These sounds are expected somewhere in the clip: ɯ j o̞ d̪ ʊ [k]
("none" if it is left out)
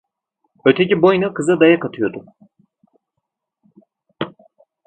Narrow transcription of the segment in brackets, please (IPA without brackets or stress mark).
none